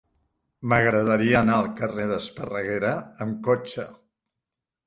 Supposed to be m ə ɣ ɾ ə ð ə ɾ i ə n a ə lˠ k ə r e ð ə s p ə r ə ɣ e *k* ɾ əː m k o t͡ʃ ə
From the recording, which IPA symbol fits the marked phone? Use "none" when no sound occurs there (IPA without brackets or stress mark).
none